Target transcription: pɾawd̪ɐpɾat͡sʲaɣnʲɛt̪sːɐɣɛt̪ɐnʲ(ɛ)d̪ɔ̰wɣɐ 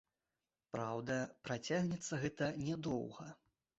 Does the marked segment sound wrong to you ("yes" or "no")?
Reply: no